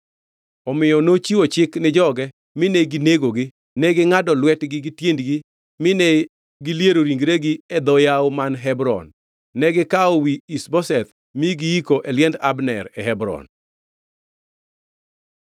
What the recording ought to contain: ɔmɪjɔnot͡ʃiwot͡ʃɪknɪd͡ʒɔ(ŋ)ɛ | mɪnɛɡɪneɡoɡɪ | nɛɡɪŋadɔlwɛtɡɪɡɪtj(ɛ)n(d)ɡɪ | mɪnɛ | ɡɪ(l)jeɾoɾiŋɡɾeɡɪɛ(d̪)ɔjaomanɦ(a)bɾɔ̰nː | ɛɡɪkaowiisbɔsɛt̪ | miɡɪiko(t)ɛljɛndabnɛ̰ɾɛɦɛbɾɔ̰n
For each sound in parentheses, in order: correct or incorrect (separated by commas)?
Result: incorrect, incorrect, correct, correct, correct, incorrect, incorrect